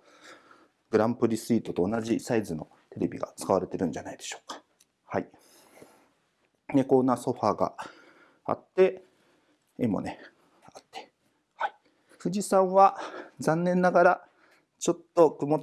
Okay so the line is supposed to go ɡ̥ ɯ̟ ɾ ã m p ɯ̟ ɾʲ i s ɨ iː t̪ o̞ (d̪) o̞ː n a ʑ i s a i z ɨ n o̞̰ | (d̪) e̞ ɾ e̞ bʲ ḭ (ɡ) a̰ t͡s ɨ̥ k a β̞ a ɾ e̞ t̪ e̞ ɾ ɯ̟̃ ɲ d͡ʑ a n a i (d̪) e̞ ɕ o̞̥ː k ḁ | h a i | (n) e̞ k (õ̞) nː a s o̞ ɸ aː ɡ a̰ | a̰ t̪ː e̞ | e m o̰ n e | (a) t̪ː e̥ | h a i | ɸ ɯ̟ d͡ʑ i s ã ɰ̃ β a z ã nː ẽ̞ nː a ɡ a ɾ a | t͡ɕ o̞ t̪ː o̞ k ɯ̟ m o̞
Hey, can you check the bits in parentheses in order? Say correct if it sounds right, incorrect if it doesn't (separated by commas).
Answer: incorrect, incorrect, correct, correct, correct, incorrect, correct